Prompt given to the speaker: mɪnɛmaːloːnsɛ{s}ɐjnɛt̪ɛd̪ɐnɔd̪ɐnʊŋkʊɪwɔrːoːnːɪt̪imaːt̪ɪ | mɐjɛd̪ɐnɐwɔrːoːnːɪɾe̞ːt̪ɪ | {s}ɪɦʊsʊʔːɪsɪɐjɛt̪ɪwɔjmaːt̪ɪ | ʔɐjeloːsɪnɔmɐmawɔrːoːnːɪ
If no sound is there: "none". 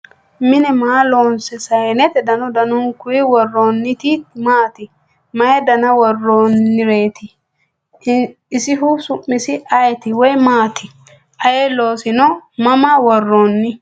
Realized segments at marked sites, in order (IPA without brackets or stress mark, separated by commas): s, s